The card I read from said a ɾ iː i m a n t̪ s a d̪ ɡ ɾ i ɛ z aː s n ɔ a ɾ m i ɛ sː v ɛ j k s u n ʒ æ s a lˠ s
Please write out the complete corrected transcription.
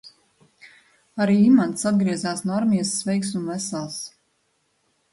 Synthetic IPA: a ɾ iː i m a n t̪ s a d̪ ɡ ɾ i ɛ z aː s n ɔ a ɾ m i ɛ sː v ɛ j k s u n v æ s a lˠ s